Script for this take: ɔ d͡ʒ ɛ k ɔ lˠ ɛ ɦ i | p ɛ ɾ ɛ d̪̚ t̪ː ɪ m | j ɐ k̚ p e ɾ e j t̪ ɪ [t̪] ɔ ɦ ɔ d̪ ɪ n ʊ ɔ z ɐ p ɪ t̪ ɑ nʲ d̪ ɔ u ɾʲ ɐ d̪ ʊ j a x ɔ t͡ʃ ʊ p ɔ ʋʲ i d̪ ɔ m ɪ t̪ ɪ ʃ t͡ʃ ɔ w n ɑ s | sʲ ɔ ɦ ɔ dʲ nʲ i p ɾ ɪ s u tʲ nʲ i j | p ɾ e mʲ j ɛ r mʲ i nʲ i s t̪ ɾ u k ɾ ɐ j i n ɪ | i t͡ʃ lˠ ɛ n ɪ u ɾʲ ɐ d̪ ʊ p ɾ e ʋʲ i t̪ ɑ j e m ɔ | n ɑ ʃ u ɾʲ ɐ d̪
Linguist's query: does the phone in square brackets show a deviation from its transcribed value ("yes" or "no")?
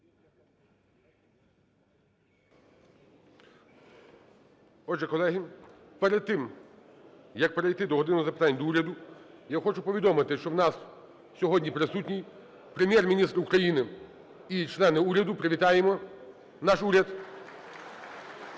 yes